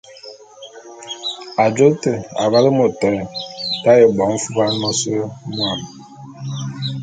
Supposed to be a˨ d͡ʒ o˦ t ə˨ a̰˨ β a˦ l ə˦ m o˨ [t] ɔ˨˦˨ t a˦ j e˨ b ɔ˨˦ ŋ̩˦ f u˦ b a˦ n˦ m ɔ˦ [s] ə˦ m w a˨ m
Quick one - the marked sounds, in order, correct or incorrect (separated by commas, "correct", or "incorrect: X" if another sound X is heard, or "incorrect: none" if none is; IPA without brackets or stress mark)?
correct, correct